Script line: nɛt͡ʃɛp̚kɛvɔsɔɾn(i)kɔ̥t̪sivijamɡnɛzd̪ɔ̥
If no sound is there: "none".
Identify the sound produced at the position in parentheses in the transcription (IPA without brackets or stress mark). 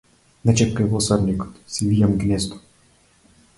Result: i